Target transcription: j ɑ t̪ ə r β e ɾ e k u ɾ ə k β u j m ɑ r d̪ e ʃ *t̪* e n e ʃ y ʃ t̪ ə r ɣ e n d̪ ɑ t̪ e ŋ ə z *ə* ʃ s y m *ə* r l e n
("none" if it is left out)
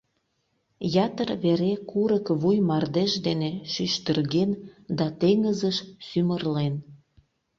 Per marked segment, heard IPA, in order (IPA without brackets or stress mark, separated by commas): d̪, ə, ə